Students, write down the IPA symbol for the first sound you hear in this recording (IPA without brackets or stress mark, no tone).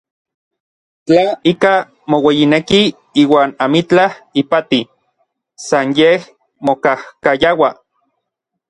t͡ɬ